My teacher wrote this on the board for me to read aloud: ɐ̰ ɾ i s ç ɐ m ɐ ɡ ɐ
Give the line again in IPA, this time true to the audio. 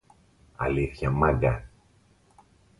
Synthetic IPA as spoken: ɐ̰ l i θ ç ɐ m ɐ ɡ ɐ